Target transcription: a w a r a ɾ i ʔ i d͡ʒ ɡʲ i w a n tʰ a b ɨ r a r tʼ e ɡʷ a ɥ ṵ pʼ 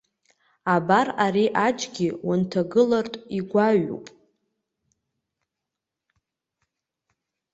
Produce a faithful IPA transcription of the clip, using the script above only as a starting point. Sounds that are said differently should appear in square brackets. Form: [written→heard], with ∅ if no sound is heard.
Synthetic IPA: a [w→b] a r a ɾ i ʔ [i→a] d͡ʒ ɡʲ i w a n tʰ a [b→ɡ] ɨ [r→l] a r tʼ [e→i] ɡʷ a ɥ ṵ pʼ